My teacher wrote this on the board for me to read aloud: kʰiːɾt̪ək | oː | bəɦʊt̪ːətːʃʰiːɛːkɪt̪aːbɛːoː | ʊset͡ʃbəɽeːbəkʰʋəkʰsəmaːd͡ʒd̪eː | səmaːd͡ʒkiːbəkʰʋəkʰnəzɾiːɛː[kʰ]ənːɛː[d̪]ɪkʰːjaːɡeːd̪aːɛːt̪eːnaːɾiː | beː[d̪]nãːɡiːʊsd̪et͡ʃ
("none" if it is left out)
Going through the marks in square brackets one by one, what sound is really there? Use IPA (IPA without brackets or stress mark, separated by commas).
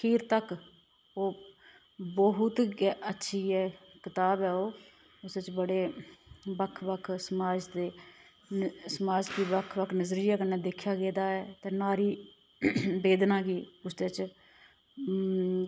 k, d̪, d̪